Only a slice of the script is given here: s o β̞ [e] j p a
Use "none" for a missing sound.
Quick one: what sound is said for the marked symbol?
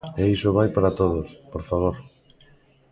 a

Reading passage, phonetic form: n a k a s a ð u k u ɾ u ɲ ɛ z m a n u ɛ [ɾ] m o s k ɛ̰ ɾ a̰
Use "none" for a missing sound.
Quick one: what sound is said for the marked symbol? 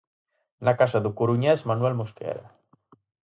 l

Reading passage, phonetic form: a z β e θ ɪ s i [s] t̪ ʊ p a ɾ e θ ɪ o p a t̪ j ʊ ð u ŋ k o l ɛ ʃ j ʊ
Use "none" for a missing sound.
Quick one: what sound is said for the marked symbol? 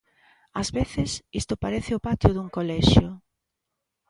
s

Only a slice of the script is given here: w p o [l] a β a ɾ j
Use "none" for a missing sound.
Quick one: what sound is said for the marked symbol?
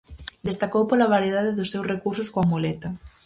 l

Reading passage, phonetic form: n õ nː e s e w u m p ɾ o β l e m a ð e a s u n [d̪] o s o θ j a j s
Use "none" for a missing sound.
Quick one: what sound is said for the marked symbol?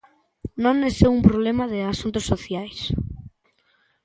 t̪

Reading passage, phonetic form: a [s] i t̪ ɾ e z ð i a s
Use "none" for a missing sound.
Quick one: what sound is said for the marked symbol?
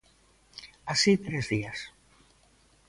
s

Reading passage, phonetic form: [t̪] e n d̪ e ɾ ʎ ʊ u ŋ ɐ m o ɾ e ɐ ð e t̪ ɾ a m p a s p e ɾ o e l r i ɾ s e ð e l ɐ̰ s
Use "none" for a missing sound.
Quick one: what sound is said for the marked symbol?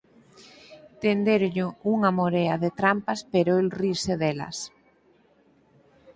t̪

